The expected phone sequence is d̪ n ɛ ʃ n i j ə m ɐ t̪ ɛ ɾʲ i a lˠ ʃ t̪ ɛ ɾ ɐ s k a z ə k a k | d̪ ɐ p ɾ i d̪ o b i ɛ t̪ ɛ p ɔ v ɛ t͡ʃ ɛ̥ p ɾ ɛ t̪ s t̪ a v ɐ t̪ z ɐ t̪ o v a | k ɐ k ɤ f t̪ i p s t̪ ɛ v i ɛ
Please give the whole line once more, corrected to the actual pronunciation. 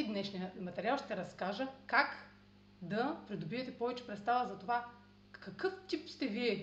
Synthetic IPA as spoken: d̪ n ɛ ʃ n i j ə m ɐ t̪ ɛ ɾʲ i a lˠ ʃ t̪ ɛ ɾ ɐ s k a ʒ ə k a k | d̪ ɐ p ɾ i d̪ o b i ɛ t̪ ɛ p ɔ v ɛ t͡ʃ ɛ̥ p ɾ ɛ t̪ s t̪ a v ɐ z ɐ t̪ o v a | k ɐ k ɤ f t̪ i p s t̪ ɛ v i ɛ